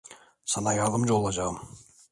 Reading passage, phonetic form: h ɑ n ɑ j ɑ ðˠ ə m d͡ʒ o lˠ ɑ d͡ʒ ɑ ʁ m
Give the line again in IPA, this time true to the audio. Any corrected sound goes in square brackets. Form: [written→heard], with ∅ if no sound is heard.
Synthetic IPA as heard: [h→s] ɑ n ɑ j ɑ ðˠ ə m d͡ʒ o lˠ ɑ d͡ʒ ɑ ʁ m